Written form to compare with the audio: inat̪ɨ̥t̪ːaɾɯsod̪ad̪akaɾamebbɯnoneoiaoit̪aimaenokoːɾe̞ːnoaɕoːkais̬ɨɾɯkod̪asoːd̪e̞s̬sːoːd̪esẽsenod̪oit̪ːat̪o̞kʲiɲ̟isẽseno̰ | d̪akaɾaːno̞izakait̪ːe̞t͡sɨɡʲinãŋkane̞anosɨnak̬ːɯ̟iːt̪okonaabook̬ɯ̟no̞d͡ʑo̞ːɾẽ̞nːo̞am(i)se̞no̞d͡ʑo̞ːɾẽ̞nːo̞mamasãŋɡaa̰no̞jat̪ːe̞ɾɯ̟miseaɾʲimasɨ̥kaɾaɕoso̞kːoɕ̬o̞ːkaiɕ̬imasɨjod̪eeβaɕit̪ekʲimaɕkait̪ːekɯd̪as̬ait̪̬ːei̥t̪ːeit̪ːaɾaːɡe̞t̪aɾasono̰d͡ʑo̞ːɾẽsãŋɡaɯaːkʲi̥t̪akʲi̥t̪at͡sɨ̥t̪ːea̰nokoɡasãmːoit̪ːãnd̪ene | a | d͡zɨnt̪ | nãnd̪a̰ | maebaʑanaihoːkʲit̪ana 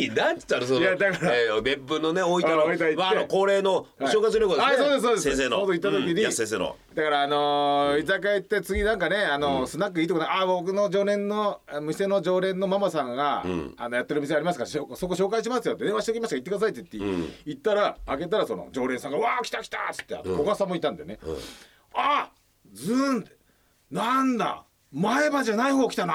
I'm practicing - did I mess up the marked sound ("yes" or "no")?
no